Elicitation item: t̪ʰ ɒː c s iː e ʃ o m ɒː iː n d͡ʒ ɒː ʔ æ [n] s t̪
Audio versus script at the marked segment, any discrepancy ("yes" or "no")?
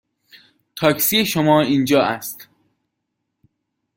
yes